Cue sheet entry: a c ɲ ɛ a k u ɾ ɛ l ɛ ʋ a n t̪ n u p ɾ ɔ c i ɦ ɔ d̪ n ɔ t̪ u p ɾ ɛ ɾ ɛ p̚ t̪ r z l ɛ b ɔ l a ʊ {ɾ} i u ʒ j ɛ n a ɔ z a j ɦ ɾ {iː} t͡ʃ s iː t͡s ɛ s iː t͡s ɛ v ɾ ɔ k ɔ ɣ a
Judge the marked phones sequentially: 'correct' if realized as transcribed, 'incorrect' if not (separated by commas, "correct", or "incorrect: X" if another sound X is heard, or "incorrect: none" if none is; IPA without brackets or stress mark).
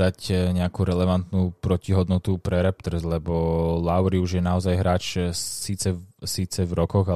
correct, incorrect: aː